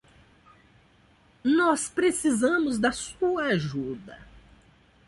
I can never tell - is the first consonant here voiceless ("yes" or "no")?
no